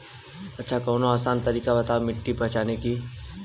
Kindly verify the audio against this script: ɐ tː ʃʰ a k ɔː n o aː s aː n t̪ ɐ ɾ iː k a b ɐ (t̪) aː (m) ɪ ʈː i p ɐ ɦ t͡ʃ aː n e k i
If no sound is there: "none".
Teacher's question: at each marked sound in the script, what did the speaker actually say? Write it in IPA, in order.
t̪, m

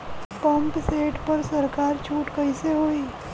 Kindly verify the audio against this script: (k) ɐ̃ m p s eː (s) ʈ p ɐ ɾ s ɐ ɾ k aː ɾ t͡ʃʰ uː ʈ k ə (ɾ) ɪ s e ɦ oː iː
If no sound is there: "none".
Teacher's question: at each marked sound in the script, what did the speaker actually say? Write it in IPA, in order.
p, none, none

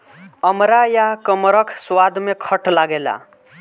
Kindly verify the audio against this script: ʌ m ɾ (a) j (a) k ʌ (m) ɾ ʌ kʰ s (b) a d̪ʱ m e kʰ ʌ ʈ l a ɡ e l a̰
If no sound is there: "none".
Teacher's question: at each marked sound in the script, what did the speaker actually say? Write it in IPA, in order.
a, a, m, w

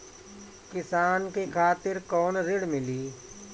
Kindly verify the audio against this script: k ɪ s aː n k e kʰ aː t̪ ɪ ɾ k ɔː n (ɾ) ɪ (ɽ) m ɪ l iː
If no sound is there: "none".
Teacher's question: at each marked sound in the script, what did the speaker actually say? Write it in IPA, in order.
ɾ, ɽ

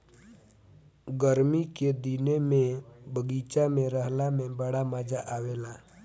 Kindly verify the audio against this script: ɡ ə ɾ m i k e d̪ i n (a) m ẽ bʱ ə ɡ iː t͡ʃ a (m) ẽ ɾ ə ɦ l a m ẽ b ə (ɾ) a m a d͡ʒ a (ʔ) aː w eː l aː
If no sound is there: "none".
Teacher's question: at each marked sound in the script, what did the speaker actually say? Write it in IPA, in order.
e, m, ɽ, ʔ

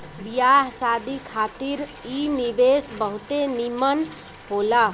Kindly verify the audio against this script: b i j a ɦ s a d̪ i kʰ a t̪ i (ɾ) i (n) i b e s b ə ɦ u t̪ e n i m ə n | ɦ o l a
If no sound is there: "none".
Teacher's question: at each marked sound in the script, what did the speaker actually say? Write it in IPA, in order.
ɾ, n

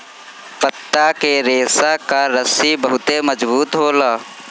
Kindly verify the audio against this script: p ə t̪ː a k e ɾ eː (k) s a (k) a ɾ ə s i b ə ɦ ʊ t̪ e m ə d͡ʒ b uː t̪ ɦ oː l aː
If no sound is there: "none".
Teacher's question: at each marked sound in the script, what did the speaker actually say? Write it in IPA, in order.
none, k

